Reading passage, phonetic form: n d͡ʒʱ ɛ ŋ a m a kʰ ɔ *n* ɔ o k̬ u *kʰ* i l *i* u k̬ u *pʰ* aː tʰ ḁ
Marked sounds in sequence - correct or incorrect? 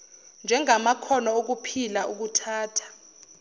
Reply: correct, incorrect, incorrect, incorrect

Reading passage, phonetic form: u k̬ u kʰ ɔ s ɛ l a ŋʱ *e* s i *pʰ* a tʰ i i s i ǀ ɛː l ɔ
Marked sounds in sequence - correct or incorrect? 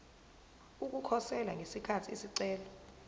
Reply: correct, incorrect

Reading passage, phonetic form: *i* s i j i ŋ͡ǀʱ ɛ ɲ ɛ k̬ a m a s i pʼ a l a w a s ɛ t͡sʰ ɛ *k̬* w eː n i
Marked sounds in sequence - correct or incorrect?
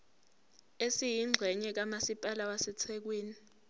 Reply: incorrect, correct

